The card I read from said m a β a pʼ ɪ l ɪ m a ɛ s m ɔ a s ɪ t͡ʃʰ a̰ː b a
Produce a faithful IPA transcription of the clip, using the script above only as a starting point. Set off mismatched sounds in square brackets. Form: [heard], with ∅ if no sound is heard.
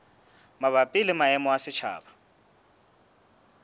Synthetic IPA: m a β a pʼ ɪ l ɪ m a ɛ [∅] m ɔ a s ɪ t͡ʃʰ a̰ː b a